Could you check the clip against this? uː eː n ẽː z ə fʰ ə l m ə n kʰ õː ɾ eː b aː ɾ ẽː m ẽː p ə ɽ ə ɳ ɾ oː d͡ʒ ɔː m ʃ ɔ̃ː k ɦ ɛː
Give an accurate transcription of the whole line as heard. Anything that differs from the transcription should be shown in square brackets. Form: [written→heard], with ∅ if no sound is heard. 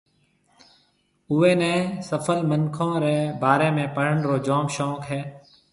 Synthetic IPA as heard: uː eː n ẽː [z→s] ə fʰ ə l m ə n kʰ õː ɾ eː b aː ɾ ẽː m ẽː p ə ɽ ə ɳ ɾ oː d͡ʒ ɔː m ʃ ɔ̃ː k ɦ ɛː